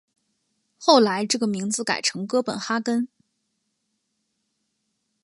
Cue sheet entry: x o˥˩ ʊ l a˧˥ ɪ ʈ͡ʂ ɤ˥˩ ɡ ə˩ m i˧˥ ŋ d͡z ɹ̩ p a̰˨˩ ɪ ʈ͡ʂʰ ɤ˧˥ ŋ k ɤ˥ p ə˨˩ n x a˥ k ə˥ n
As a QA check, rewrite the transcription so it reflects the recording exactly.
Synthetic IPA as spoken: x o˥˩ ʊ l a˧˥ ɪ ʈ͡ʂ ɤ˥˩ ɡ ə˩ m i˧˥ ŋ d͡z ɹ̩ k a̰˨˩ ɪ ʈ͡ʂʰ ɤ˧˥ ŋ k ɤ˥ p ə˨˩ n x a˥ k ə˥ n